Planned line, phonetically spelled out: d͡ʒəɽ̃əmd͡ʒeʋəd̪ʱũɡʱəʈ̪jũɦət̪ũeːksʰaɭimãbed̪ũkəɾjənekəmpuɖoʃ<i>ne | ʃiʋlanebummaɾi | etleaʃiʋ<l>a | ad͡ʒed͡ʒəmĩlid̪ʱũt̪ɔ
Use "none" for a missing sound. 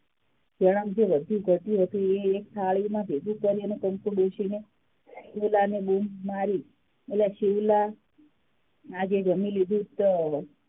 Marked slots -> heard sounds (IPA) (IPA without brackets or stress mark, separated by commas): i, l